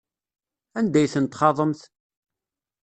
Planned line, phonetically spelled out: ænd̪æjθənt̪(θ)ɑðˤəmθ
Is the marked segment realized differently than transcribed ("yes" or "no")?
yes